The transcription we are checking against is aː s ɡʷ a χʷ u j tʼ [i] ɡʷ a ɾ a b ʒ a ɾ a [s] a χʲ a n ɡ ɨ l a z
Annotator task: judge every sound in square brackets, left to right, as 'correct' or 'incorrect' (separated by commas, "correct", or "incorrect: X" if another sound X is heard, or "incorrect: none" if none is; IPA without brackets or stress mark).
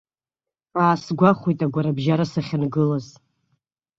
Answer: incorrect: a, correct